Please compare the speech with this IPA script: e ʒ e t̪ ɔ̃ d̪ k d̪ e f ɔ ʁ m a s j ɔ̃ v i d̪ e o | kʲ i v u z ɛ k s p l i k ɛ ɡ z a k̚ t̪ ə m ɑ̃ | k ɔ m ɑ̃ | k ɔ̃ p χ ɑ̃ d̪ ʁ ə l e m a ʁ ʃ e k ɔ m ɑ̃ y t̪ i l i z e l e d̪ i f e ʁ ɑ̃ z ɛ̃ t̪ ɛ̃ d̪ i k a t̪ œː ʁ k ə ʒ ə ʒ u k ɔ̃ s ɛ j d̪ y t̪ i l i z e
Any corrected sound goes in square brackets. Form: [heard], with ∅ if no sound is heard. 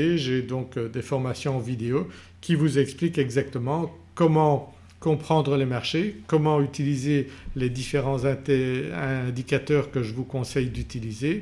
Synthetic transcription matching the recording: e ʒ e [d̪] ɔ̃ [∅] k d̪ e f ɔ ʁ m a s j ɔ̃ v i d̪ e o | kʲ i v u z ɛ k s p l i k ɛ ɡ z a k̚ t̪ ə m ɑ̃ | k ɔ m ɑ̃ | k ɔ̃ p χ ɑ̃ d̪ ʁ ə l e m a ʁ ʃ e k ɔ m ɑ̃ y t̪ i l i z e l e d̪ i f e ʁ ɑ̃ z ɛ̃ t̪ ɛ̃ d̪ i k a t̪ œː ʁ k ə ʒ ə [v] u k ɔ̃ s ɛ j d̪ y t̪ i l i z e

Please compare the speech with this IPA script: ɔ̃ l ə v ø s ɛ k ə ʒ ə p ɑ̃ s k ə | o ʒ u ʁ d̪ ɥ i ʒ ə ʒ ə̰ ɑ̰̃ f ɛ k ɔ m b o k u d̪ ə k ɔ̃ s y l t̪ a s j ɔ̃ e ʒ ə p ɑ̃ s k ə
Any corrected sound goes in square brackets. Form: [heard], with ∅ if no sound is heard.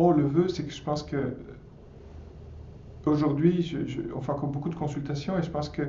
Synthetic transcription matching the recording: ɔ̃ l ə v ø s ɛ k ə ʒ ə p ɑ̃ s k ə | o ʒ u ʁ d̪ ɥ i ʒ ə ʒ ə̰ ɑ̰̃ f [ɛ̃] k ɔ m b o k u d̪ ə k ɔ̃ s y l t̪ a s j ɔ̃ e ʒ ə p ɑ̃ s k ə

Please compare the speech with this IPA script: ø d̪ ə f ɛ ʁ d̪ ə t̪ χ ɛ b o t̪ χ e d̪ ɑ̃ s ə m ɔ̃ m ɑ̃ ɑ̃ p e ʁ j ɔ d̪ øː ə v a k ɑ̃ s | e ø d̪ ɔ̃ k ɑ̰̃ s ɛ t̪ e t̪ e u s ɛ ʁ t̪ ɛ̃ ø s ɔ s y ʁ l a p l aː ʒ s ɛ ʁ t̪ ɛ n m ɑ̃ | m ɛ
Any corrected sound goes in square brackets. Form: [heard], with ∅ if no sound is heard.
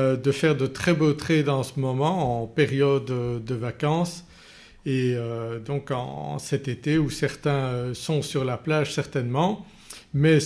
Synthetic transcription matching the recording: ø d̪ ə f ɛ ʁ d̪ ə t̪ χ ɛ b o t̪ χ e d̪ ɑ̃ s ə m [ɔ] m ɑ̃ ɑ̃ p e ʁ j ɔ d̪ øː ə v a k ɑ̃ s | e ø d̪ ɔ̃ k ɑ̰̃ s ɛ t̪ e t̪ e u s ɛ ʁ t̪ ɛ̃ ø s [ɔ̃] s y ʁ l a p l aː ʒ s ɛ ʁ t̪ ɛ n m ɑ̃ | m ɛ

